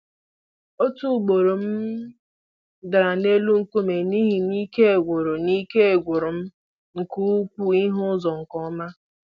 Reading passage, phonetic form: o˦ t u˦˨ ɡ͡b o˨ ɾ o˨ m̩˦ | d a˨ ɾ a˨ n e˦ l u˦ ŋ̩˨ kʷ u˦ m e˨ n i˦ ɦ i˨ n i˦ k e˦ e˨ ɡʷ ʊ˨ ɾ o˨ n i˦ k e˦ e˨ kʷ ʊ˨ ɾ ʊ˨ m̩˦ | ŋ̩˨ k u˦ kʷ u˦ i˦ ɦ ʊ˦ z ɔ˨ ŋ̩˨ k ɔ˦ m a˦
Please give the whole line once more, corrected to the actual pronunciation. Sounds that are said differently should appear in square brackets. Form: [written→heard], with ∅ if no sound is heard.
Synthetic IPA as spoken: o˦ t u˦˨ ɡ͡b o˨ ɾ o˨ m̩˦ | d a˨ ɾ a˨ n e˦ l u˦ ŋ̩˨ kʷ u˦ m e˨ n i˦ ɦ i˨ n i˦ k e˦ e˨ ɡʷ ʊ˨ ɾ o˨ n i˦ k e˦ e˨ [kʷ→ɡʷ] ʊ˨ ɾ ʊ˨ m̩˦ | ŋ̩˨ k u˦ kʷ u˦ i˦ ɦ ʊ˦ z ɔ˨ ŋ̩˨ k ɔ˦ m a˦

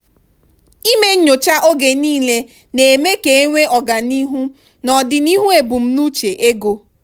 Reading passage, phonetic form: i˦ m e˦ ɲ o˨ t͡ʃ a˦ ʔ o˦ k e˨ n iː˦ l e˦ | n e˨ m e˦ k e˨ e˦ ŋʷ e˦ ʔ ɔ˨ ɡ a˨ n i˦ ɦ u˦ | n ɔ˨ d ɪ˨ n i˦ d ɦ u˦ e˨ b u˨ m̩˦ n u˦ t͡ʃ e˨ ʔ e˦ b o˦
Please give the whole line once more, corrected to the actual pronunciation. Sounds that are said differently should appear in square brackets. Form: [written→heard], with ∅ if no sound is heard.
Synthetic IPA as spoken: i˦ m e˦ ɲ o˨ t͡ʃ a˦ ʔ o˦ [k→ɡ] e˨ n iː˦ l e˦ | n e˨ m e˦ k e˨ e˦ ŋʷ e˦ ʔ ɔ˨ ɡ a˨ n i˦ ɦ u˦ | n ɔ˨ d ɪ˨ n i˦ [d→∅] ɦ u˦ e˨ b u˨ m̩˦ n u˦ t͡ʃ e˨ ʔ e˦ [b→ɡ] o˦

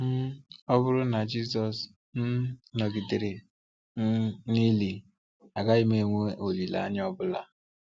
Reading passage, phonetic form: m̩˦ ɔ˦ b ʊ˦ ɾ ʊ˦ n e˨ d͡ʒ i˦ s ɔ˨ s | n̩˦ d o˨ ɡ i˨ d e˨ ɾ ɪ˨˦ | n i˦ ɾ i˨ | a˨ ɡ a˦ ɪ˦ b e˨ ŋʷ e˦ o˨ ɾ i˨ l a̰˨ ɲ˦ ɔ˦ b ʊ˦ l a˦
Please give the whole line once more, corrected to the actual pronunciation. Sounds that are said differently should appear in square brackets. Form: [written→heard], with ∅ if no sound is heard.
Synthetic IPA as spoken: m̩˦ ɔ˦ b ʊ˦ ɾ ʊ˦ n [e˨→a˨] d͡ʒ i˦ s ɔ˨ s | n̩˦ [d→n] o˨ ɡ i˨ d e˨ ɾ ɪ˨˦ | n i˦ [ɾ→l] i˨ | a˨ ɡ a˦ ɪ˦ [b→m] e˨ ŋʷ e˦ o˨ [ɾ→l] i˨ l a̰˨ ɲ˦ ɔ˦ b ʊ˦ l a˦

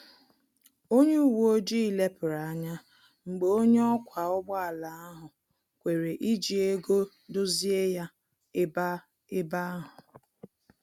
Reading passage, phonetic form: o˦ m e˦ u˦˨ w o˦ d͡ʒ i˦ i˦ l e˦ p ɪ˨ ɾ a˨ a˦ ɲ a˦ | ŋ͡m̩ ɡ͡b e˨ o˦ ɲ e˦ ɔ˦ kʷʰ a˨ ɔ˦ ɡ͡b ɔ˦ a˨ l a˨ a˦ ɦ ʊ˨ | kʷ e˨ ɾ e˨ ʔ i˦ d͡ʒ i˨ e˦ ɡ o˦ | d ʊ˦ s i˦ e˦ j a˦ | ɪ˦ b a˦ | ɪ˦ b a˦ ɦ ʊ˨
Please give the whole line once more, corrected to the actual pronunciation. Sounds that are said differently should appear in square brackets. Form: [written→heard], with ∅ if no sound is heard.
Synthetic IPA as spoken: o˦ [m→ɲ] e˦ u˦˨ w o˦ d͡ʒ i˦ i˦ l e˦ p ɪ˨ ɾ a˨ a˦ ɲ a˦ | ŋ͡m̩ ɡ͡b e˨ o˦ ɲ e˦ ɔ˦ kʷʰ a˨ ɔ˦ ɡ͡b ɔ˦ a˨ l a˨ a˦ ɦ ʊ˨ | kʷ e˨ ɾ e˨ ʔ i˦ d͡ʒ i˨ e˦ ɡ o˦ | d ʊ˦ [s→z] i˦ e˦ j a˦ | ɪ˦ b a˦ | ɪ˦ b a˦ ɦ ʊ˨

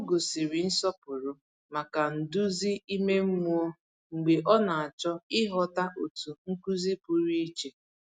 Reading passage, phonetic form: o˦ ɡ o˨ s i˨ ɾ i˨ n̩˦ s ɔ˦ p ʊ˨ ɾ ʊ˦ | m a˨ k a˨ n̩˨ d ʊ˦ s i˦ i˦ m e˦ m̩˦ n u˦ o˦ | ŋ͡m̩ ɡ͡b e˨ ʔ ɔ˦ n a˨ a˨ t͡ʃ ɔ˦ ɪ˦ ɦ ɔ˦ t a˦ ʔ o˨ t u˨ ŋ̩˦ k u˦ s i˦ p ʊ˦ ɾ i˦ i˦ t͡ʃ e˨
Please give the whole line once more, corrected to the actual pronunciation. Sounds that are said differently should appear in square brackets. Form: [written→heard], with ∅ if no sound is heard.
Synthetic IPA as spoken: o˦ ɡ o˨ s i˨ ɾ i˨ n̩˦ s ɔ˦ p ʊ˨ ɾ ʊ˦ | m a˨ k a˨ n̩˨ d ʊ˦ [s→z] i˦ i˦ m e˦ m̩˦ [n→m] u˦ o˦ | ŋ͡m̩ ɡ͡b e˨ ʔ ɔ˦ n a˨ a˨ t͡ʃ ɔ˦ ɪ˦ ɦ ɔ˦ t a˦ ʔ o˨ t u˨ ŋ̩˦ k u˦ [s→z] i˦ p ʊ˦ ɾ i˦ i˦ t͡ʃ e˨

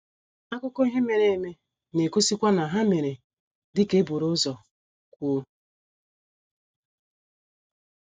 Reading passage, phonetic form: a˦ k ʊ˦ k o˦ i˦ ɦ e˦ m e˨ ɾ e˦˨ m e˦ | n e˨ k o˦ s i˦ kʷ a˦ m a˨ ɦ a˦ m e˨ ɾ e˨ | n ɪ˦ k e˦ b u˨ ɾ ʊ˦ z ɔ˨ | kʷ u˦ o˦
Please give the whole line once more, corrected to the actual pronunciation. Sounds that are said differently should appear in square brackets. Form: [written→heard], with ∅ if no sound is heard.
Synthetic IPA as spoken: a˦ k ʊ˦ k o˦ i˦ ɦ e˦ m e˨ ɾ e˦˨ m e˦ | n e˨ k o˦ s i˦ kʷ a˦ [m→n] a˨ ɦ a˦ m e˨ ɾ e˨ | [n→d] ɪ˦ k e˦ b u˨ ɾ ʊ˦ z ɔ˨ | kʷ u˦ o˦

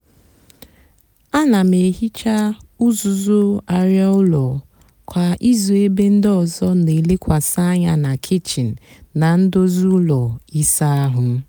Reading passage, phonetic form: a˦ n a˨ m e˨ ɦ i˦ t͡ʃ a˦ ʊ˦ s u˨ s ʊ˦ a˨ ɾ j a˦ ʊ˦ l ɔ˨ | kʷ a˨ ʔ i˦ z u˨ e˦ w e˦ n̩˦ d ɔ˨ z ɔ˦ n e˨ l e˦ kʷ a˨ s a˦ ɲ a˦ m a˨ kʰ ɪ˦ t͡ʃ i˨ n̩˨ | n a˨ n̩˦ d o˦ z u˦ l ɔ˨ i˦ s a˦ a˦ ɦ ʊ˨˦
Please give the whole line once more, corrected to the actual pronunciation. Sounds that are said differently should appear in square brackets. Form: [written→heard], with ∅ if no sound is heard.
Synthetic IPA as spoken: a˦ n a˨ m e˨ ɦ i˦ t͡ʃ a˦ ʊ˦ [s→z] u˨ [s→z] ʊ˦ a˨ ɾ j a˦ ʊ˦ l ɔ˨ | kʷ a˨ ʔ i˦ z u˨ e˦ [w→b] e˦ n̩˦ d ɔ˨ z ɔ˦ n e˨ l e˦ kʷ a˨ s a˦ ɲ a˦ [m→n] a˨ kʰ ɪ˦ t͡ʃ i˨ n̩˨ | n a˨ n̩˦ d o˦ z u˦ l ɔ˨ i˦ s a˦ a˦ ɦ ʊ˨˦

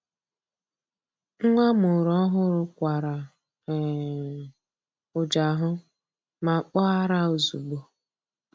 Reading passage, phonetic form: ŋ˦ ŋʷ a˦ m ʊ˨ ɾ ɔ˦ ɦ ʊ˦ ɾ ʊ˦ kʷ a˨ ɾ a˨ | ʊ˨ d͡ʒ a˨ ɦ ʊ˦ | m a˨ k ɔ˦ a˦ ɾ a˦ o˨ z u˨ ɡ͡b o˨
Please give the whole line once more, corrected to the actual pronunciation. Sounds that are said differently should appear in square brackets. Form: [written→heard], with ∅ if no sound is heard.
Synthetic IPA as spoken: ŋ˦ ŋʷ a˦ m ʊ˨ ɾ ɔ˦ ɦ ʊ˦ ɾ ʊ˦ kʷ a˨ ɾ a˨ | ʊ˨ d͡ʒ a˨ ɦ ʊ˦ | m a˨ [k→k͡p] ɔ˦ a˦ ɾ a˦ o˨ z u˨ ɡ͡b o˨

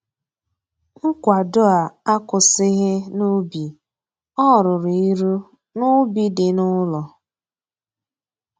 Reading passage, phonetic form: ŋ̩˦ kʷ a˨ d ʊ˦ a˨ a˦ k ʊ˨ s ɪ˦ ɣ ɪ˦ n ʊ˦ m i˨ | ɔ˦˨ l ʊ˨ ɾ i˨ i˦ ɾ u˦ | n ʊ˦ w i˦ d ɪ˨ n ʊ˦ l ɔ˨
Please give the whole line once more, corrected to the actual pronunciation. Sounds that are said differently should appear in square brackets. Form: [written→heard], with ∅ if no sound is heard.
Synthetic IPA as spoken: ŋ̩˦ kʷ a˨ d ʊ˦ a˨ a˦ k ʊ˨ s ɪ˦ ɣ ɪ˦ n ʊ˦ [m→b] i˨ | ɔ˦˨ [l→ɾ] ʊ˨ ɾ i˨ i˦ ɾ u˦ | n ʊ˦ [w→b] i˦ d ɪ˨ n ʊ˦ l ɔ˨

